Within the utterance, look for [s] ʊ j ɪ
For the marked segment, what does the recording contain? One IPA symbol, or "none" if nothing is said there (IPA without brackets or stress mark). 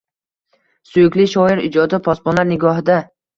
s